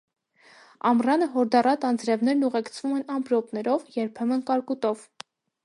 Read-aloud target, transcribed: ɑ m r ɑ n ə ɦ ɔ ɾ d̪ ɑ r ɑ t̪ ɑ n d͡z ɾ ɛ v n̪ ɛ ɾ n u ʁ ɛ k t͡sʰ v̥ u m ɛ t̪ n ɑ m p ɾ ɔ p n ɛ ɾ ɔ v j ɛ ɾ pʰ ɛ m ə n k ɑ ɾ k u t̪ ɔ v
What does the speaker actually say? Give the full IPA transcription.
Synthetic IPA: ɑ m r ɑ n ə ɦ ɔ ɾ d̪ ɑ r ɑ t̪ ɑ n d͡z ɾ ɛ v n̪ ɛ ɾ n u ʁ ɛ k t͡sʰ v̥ u m ɛ n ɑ m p ɾ ɔ p n ɛ ɾ ɔ v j ɛ ɾ pʰ ɛ m ə n k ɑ ɾ k u t̪ ɔ v